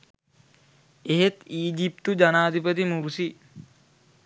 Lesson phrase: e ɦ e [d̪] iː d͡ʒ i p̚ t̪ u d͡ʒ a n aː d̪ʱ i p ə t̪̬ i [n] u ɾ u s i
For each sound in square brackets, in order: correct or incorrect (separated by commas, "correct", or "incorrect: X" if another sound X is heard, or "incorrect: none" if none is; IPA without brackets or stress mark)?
incorrect: t̪, incorrect: m